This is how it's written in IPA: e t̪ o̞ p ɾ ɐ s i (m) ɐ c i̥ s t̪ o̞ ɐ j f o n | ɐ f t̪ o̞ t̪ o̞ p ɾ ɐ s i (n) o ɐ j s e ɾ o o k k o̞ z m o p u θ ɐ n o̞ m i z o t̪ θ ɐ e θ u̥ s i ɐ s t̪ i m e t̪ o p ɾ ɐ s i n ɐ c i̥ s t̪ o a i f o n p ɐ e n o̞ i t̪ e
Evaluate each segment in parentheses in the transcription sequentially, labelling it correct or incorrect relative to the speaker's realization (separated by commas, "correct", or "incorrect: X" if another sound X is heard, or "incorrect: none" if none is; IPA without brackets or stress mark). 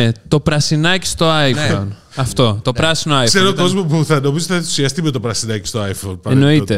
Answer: incorrect: n, correct